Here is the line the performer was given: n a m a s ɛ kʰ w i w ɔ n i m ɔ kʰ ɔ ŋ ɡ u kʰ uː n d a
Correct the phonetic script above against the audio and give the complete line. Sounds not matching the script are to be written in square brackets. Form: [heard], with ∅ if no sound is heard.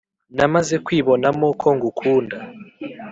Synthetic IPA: n a m a [z] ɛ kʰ w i [β] ɔ n [a] m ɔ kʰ ɔ ŋ ɡ u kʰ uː n d a